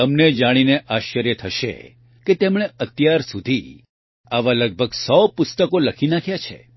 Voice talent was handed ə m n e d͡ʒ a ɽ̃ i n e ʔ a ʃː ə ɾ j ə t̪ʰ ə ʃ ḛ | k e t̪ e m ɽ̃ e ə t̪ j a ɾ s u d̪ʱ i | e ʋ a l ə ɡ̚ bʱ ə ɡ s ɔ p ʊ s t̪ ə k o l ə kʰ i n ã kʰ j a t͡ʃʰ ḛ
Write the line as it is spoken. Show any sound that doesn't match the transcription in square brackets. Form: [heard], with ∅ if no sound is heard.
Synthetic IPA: ə m n e d͡ʒ a ɽ̃ i n e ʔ a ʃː ə ɾ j ə t̪ʰ ə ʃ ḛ | k e t̪ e m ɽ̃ e ə t̪ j a ɾ s u d̪ʱ i | [a] ʋ a l ə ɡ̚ bʱ ə ɡ s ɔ p ʊ s t̪ ə k o l ə kʰ i n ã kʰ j a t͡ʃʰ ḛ